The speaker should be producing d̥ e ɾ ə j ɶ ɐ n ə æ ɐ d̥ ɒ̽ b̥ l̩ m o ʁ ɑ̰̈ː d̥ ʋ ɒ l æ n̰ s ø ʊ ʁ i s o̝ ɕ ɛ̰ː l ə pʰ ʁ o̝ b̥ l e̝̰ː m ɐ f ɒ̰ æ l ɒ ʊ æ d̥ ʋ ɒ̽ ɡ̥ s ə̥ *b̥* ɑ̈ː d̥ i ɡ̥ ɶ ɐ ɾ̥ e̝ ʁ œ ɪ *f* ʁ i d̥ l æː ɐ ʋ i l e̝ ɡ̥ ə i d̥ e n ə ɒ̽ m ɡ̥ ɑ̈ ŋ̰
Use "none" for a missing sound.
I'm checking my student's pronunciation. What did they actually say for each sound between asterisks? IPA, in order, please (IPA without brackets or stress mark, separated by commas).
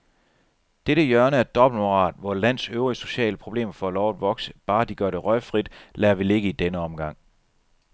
b̥, f